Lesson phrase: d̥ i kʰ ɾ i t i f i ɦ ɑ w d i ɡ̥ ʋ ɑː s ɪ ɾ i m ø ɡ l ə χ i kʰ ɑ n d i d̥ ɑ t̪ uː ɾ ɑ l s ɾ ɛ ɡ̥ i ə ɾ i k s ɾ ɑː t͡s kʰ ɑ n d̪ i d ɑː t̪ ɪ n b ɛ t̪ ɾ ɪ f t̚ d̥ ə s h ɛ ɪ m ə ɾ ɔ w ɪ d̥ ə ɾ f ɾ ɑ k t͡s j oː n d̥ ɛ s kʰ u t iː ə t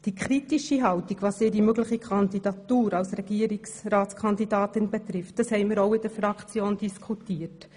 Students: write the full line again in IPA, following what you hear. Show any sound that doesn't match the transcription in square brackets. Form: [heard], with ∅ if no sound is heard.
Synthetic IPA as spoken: d̥ i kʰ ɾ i t i [ʃ] i ɦ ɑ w [t] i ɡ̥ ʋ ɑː s ɪ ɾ i m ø ɡ l ə χ i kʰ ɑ n d i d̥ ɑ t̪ uː ɾ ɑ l s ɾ ɛ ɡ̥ i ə ɾ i k s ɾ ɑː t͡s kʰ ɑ n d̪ i d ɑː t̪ ɪ n b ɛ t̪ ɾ ɪ f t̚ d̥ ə s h ɛ ɪ m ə ɾ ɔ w ɪ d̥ ə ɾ f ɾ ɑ k t͡s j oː n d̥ [i] s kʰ u t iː ə t